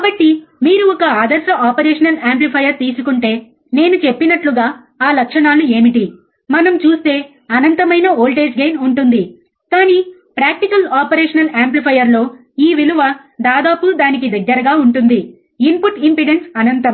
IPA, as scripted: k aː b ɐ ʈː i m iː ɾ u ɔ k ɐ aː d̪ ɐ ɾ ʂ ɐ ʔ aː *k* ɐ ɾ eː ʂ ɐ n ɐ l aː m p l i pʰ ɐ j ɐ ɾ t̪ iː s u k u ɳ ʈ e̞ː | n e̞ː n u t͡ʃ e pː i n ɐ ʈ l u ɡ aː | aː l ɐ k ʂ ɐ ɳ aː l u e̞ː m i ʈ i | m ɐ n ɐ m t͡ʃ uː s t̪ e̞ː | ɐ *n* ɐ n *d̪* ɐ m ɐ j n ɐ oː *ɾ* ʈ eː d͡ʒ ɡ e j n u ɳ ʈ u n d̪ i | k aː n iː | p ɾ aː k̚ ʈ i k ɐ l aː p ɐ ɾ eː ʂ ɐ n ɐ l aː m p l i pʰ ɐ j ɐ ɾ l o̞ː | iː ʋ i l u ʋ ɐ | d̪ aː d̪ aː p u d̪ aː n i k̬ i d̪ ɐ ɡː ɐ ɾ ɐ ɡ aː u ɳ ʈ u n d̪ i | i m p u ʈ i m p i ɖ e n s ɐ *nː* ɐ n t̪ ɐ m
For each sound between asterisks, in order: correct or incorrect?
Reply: incorrect, correct, incorrect, incorrect, incorrect

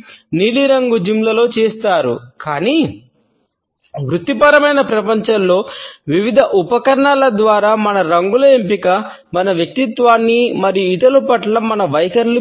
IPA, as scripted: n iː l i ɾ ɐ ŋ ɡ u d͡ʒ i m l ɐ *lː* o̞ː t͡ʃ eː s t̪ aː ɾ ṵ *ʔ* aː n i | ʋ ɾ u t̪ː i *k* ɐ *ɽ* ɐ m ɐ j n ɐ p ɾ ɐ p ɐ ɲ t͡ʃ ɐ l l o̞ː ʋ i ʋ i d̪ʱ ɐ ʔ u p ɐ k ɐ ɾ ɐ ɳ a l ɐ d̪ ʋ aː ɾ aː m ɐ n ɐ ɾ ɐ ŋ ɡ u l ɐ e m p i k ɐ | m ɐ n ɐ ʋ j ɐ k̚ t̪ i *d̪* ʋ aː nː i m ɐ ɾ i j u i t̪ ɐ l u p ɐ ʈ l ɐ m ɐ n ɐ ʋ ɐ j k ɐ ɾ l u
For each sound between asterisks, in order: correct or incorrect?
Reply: incorrect, incorrect, incorrect, incorrect, incorrect

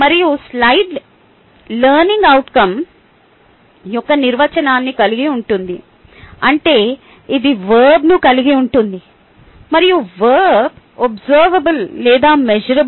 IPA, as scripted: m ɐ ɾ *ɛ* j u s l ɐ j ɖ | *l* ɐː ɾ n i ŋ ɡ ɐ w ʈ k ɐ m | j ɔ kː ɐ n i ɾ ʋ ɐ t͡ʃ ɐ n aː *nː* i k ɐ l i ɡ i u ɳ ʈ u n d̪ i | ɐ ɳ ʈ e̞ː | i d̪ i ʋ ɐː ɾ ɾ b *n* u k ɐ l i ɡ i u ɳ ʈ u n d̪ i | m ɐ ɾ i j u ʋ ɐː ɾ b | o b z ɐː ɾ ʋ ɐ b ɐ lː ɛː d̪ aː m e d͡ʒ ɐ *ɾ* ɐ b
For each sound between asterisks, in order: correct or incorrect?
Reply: incorrect, correct, correct, correct, correct

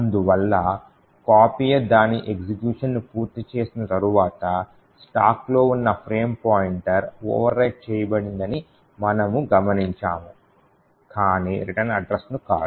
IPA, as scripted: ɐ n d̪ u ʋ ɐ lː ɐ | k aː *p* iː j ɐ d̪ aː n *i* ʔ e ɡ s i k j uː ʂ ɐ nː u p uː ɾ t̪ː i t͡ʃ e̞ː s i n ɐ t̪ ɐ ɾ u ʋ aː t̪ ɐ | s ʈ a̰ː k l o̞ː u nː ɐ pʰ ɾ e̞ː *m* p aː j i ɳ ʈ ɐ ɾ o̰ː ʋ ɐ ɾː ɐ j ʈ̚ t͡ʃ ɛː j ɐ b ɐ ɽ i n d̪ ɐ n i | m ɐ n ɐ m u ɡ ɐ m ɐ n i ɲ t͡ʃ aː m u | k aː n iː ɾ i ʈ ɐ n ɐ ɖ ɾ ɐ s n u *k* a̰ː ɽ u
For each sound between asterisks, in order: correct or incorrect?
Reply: correct, correct, correct, correct

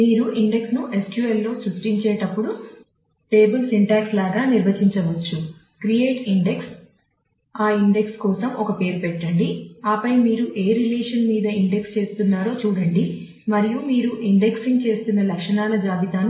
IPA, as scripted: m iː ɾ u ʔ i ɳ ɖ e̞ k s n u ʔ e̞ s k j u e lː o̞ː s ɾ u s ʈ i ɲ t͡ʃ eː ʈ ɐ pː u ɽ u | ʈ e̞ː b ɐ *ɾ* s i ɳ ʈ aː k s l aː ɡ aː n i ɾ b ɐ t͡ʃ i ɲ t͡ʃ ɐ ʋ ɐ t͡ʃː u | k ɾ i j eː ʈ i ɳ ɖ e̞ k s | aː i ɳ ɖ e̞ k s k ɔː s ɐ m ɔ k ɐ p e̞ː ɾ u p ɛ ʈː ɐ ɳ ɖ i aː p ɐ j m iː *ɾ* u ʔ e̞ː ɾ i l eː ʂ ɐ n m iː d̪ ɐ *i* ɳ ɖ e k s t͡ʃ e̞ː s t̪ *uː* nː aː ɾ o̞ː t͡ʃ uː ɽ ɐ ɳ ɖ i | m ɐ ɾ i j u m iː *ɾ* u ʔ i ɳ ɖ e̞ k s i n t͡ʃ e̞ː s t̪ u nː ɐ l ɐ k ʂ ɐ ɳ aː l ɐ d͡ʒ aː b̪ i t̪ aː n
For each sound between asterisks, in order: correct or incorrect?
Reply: incorrect, correct, correct, incorrect, correct

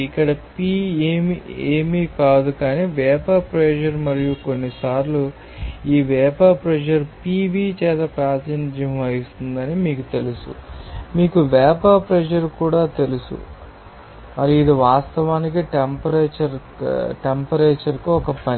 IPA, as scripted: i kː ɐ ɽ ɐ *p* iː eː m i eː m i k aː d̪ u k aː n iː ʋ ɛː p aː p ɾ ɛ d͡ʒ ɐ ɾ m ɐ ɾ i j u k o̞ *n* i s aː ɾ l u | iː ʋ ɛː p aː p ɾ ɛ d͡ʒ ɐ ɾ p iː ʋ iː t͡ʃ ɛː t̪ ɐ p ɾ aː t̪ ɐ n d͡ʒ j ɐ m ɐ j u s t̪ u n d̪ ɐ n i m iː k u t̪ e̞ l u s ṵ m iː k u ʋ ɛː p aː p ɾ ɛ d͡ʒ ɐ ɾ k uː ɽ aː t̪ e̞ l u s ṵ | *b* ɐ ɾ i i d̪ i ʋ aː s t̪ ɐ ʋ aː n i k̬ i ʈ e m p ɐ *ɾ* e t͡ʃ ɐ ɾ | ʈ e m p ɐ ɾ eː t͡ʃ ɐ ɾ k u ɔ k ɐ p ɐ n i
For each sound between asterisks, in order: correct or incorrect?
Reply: correct, incorrect, incorrect, correct

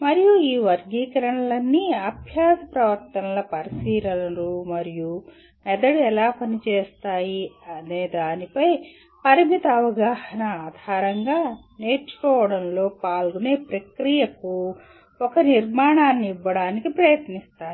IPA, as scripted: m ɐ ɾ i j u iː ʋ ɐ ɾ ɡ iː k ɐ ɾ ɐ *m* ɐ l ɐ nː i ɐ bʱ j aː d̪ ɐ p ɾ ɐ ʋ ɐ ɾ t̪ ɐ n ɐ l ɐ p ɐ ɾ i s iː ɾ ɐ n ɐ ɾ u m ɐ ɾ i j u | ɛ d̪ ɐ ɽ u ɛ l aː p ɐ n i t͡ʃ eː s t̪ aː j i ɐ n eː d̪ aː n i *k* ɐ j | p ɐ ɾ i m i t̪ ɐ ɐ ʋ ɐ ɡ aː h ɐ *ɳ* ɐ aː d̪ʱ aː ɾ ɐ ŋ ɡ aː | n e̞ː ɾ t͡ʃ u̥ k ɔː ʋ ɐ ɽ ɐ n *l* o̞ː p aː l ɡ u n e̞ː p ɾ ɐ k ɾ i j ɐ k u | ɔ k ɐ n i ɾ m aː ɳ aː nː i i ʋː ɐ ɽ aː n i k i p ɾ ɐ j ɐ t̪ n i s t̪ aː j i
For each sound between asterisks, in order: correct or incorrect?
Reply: incorrect, incorrect, incorrect, correct

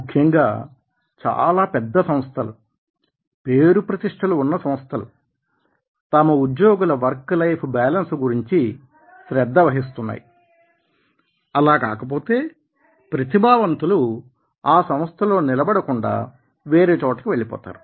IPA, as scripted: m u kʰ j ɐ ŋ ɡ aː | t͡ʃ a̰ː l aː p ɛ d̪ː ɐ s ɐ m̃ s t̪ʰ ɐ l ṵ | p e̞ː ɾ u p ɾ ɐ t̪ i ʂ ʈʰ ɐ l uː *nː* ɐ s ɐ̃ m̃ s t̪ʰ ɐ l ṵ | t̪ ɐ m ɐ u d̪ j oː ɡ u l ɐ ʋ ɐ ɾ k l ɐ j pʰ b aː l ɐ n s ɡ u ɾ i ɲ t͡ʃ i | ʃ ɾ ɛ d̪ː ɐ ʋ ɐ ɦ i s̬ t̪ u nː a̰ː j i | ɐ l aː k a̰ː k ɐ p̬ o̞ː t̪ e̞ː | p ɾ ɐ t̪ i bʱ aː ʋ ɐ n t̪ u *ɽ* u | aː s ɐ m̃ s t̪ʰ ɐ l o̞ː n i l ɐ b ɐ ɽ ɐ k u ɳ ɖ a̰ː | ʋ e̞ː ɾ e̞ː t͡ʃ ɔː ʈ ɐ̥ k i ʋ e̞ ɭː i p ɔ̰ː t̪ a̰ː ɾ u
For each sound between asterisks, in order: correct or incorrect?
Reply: correct, incorrect

